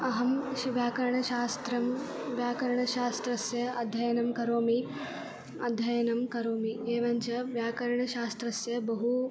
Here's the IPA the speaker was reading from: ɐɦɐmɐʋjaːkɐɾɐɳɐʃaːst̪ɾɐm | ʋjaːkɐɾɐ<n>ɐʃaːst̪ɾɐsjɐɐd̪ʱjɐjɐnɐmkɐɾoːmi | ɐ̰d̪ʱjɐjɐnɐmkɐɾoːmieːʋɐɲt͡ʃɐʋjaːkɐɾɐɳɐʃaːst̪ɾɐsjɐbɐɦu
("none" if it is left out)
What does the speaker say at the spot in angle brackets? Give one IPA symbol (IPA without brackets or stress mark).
ɳ